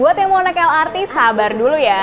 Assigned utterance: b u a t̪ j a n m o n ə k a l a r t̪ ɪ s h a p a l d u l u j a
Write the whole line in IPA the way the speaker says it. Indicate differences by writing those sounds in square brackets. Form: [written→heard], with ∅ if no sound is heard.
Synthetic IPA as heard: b u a t̪ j a [n→ŋ] m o n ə k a l a r t̪ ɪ s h a [p→b] a [l→r] d u l u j a